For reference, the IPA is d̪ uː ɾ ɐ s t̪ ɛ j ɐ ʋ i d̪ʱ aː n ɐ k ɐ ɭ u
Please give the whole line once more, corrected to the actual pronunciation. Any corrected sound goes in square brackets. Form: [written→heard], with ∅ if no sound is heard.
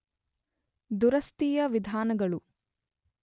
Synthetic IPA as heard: d̪ [uː→u] ɾ ɐ s t̪ [ɛ→i] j ɐ ʋ i d̪ʱ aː n ɐ [k→ɡ] ɐ ɭ u

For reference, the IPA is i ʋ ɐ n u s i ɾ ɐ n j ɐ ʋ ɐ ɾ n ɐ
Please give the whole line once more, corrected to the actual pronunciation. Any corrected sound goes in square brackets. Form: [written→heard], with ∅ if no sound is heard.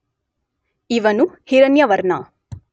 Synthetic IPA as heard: i ʋ ɐ n u [s→h] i ɾ ɐ n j ɐ ʋ ɐ ɾ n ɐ

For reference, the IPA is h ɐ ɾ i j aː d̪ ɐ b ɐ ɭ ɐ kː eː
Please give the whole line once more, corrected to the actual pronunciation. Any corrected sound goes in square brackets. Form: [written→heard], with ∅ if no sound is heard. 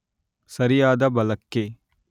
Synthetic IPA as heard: [h→s] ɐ ɾ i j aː d̪ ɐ b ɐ [ɭ→l] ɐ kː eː

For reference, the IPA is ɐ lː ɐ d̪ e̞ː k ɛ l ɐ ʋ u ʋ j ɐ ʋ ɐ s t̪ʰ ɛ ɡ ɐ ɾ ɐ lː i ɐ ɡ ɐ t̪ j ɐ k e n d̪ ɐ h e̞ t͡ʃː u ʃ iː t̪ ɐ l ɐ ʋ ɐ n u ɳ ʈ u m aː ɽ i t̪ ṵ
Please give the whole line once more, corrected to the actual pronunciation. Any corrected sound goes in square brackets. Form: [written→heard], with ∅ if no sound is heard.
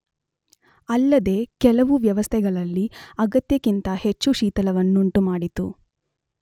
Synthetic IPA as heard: ɐ lː ɐ d̪ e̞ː k ɛ l ɐ ʋ u ʋ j ɐ ʋ ɐ s t̪ʰ ɛ ɡ ɐ [ɾ→ɭ] ɐ lː i ɐ ɡ ɐ t̪ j ɐ k [e→i] n [d̪→t̪] ɐ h e̞ t͡ʃː u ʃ iː t̪ ɐ l ɐ ʋ ɐ [n→nː] u ɳ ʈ u m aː ɽ i t̪ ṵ

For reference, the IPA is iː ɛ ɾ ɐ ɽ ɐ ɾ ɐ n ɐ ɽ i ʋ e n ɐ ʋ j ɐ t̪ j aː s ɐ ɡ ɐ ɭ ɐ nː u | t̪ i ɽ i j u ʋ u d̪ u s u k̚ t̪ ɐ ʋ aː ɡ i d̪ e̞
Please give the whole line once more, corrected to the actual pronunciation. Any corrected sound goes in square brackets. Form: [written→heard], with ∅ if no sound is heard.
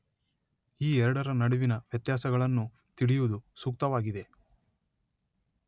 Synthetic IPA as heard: iː ɛ ɾ ɐ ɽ ɐ ɾ ɐ n ɐ ɽ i ʋ [e→i] n ɐ ʋ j ɐ t̪ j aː s ɐ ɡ ɐ ɭ ɐ nː u | t̪ i ɽ i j u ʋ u d̪ u s u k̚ t̪ ɐ ʋ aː ɡ i d̪ e̞

